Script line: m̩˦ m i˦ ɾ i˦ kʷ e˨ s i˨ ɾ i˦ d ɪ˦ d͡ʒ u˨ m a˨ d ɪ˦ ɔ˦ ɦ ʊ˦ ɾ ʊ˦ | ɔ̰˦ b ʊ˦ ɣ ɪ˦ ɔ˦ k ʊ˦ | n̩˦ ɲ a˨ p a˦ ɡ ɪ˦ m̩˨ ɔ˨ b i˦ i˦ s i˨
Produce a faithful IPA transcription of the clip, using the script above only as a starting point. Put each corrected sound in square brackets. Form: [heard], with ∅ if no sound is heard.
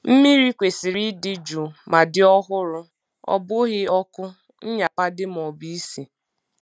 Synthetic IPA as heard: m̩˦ m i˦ ɾ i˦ kʷ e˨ s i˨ ɾ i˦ d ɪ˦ d͡ʒ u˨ m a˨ d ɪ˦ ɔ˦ ɦ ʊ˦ ɾ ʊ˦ | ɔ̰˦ b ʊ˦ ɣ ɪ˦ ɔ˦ k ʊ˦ | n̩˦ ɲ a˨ p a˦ [d] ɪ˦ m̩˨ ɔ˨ b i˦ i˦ s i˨